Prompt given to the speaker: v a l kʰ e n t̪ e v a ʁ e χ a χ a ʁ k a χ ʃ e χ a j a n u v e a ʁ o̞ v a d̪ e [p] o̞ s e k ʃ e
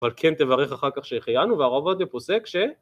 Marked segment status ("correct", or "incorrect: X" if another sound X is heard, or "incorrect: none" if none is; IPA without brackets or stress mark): correct